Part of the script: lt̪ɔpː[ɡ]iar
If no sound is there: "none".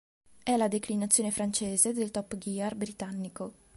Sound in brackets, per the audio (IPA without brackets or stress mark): ɡ